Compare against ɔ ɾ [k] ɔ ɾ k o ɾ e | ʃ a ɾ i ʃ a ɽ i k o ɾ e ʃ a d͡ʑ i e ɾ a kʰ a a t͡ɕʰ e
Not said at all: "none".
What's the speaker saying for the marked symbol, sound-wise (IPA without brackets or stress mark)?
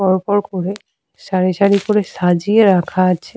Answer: p